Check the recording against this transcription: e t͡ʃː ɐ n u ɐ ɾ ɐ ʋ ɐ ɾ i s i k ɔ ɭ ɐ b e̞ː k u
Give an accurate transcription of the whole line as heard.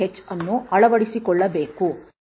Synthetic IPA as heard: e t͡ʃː ɐ nː u ɐ ɭ ɐ ʋ ɐ ɽ i s i k ɔ ɭː ɐ b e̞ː k u